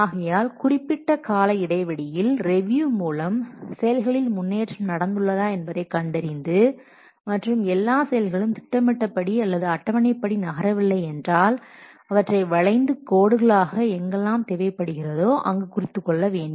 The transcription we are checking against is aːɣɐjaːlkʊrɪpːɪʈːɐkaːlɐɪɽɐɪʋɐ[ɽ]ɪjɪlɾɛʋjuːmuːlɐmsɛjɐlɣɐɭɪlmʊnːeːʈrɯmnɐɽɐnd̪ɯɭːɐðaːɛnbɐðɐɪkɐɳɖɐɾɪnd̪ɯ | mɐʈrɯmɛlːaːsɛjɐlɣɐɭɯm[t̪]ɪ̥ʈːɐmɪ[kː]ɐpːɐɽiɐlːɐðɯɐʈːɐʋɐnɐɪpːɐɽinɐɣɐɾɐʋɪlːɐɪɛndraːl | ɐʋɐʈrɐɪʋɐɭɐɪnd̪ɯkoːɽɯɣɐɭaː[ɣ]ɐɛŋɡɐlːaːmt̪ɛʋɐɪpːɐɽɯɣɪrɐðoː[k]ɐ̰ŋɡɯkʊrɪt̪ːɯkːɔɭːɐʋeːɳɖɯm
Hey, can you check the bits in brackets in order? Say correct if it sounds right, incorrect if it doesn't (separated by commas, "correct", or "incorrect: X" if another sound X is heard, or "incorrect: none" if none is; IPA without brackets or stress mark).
correct, correct, incorrect: ʈː, correct, incorrect: ʔ